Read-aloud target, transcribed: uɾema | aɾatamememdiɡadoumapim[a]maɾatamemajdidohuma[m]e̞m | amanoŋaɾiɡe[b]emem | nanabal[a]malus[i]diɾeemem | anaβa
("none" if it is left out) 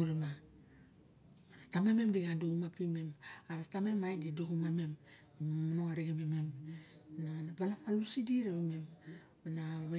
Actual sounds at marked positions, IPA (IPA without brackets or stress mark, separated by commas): e, m, m, a, i